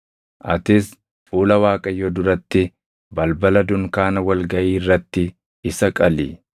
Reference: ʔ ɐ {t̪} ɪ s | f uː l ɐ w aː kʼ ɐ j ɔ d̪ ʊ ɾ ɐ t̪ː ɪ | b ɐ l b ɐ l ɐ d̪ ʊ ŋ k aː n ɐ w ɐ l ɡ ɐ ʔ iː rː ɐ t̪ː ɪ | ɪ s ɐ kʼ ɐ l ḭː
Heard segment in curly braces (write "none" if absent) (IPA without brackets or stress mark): t̪